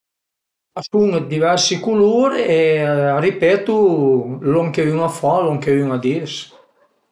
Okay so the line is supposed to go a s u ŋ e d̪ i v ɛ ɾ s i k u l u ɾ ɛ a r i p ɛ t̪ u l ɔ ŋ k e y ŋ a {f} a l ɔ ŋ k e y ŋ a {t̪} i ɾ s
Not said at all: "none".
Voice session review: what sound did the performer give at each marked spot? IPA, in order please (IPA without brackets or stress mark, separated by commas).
f, d̪